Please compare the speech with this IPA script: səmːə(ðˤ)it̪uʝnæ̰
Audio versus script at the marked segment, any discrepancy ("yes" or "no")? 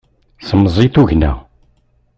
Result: yes